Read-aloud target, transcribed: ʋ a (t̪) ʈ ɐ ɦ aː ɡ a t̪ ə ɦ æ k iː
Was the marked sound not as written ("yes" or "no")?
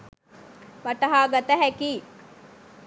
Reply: yes